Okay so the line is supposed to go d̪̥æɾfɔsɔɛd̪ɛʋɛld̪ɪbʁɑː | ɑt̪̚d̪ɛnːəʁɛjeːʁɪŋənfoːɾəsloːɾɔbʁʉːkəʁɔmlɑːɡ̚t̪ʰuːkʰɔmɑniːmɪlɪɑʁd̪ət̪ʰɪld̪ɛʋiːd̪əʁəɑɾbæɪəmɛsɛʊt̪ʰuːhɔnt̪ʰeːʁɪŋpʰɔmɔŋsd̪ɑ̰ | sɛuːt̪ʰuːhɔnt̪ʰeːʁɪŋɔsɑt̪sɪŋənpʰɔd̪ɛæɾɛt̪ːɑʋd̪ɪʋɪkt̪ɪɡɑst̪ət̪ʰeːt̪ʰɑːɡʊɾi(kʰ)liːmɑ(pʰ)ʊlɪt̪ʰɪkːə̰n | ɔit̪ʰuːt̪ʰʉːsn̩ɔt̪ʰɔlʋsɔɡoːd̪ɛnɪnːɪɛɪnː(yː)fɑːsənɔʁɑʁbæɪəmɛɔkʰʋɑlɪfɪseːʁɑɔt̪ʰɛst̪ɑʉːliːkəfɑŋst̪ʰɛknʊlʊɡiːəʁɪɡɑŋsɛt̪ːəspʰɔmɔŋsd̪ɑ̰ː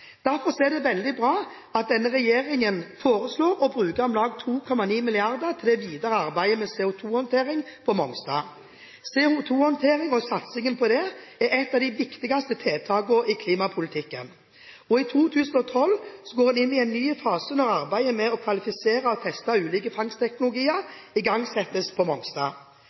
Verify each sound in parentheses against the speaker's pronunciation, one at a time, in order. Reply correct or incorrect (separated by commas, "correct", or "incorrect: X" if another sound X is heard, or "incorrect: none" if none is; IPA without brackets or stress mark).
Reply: correct, correct, correct